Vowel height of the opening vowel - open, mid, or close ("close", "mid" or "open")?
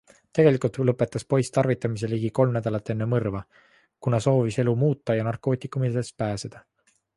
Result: mid